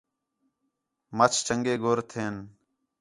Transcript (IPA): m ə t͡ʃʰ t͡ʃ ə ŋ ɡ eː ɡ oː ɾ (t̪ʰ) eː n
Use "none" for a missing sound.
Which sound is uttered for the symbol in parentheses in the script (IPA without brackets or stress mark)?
t̪ʰ